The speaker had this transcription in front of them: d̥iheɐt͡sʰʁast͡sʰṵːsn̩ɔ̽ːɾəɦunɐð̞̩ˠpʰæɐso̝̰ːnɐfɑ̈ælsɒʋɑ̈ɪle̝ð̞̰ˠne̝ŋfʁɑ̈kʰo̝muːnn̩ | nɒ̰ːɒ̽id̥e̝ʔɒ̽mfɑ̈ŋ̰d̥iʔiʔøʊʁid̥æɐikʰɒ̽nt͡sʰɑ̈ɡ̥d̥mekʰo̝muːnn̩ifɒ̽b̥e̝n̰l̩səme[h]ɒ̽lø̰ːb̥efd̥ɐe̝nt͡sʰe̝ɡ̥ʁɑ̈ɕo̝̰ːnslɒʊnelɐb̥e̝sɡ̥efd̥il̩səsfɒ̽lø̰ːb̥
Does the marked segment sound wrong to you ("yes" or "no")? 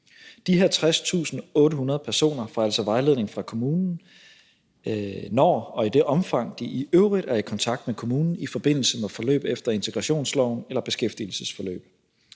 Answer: yes